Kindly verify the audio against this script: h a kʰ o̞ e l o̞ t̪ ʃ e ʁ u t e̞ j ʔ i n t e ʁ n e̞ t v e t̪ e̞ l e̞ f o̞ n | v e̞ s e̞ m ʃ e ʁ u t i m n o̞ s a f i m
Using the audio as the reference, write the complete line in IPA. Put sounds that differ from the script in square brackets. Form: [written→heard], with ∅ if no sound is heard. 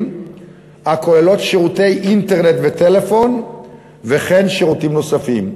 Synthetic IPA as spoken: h a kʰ o̞ e l o̞ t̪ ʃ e ʁ u t e̞ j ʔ i n t e ʁ n e̞ t v e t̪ e̞ l e̞ f o̞ n | v e̞ [s→χ] e̞ [m→n] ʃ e ʁ u t i m n o̞ s a f i m